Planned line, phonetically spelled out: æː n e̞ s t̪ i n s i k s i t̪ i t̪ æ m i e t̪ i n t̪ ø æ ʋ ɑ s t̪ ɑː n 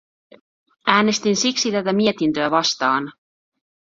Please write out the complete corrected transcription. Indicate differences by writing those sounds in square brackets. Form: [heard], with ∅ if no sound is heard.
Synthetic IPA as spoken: æː n e̞ s t̪ i n s i k s i t̪ [æ] t̪ æ m i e t̪ i n t̪ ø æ ʋ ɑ s t̪ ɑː n